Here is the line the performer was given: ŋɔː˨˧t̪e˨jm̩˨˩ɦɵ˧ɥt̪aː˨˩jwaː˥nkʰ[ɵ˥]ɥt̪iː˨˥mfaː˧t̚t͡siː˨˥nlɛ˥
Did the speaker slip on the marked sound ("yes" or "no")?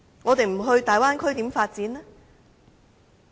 no